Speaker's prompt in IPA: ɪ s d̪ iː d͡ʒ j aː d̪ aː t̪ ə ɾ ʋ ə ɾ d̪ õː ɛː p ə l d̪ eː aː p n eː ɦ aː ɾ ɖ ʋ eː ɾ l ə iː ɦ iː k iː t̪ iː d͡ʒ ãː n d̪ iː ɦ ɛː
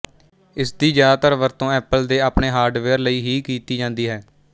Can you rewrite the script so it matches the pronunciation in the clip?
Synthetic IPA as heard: ɪ s d̪ iː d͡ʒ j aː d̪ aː t̪ ə ɾ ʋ ə ɾ t̪ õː ɛː p ə l d̪ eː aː p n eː ɦ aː ɾ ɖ ʋ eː ɾ l ə iː ɦ iː k iː t̪ iː d͡ʒ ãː n d̪ iː ɦ ɛː